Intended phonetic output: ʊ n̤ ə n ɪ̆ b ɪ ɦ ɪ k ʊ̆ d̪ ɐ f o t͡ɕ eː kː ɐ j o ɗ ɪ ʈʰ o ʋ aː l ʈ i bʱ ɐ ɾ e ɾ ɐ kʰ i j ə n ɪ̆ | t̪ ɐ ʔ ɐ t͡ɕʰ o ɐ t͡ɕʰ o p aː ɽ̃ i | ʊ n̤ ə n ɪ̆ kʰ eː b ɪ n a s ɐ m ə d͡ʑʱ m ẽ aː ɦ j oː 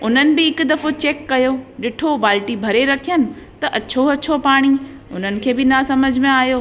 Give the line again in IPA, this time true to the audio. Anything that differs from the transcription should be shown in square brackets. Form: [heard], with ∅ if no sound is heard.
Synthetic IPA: ʊ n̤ ə n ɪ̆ b ɪ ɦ ɪ k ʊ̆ d̪ ɐ f o t͡ɕ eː kː ɐ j o ɗ ɪ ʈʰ o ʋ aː l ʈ i bʱ ɐ ɾ e ɾ ɐ kʰ i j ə n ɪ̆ | t̪ ɐ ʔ ɐ t͡ɕʰ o ɐ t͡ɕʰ o p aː ɽ̃ i | ʊ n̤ ə n ɪ̆ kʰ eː b ɪ n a s ɐ m ə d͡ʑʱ m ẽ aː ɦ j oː